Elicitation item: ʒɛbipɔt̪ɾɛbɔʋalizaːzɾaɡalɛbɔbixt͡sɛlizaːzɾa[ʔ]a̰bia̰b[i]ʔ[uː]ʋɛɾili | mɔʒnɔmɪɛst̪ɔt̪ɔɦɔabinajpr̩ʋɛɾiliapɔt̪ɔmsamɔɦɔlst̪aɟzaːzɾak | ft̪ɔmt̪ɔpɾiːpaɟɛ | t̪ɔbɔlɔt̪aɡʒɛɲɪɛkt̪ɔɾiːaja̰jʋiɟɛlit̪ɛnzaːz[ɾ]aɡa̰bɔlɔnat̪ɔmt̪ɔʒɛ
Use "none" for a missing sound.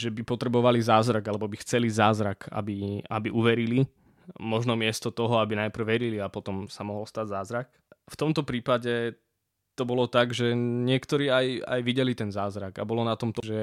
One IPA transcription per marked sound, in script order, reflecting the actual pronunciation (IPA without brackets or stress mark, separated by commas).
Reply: k, i, u, ɾ